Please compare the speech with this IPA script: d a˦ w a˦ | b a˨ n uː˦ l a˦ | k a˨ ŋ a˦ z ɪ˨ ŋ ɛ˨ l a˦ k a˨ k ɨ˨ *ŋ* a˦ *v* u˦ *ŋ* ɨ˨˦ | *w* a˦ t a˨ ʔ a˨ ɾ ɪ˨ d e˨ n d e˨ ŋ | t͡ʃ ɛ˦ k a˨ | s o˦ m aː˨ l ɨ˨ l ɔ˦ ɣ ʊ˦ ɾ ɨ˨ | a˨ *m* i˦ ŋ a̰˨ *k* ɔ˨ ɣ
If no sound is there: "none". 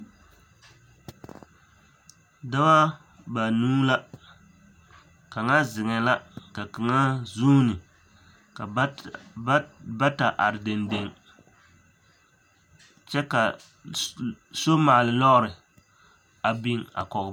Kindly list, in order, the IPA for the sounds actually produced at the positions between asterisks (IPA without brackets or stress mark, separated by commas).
ŋ, z, n, b, b, k